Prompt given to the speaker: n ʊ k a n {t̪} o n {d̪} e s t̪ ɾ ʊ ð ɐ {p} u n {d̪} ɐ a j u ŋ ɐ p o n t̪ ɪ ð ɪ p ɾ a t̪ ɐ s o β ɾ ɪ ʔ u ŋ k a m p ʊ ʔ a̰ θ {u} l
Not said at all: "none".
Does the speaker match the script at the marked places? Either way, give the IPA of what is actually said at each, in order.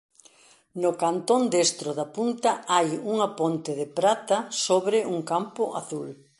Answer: t̪, d̪, p, t̪, u

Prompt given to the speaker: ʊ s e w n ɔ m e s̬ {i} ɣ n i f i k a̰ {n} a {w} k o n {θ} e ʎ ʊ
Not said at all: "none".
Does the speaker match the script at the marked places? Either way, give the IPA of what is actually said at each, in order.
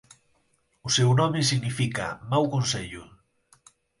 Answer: i, m, w, s

